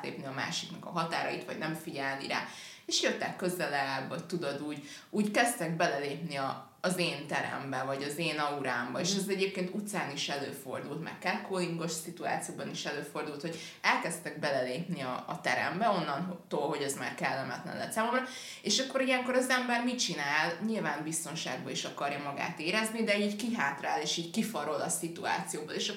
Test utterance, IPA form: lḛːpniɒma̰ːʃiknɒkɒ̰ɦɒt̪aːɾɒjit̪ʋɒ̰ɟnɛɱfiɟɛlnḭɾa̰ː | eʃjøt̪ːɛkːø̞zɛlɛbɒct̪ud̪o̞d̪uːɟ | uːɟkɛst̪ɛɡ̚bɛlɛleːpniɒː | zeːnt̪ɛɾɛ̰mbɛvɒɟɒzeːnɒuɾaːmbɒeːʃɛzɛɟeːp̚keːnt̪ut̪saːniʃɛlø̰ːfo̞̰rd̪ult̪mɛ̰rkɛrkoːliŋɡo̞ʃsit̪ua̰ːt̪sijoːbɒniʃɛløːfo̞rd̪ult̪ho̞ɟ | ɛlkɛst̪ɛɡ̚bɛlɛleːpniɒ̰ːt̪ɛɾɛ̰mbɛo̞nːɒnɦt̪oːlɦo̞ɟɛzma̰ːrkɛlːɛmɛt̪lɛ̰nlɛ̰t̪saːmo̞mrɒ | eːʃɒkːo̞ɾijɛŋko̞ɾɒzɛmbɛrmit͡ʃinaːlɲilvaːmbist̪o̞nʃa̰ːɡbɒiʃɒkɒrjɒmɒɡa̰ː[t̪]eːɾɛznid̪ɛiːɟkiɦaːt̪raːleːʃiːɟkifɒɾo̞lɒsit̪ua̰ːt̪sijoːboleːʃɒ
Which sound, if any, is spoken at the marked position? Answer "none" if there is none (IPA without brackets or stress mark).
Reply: t̪